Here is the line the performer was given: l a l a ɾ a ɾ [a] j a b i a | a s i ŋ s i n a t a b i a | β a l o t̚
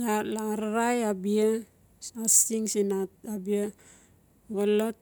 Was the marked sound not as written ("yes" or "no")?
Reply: no